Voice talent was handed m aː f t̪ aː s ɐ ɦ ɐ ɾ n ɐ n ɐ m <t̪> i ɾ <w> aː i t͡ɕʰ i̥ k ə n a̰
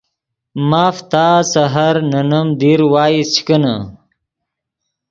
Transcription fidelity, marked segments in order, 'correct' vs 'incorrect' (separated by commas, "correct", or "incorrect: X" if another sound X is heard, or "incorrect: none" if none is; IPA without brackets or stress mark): incorrect: d̪, correct